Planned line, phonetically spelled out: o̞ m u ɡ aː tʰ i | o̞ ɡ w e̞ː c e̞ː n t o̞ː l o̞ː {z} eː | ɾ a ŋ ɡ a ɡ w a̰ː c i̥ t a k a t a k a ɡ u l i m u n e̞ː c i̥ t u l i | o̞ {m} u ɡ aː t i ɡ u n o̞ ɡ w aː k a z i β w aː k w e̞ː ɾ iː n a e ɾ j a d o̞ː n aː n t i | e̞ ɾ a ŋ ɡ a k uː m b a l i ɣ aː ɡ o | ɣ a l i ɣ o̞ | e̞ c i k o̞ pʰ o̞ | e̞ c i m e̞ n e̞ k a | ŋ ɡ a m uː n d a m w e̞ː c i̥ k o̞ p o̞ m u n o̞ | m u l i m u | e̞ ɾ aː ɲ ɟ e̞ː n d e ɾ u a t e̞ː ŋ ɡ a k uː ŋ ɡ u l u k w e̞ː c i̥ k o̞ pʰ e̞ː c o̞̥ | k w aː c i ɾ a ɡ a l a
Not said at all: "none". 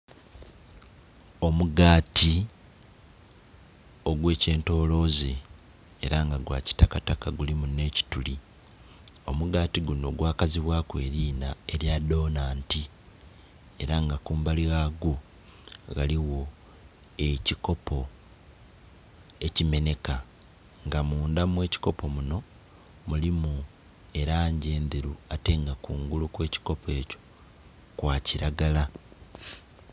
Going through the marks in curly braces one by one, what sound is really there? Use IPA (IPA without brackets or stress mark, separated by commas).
z, m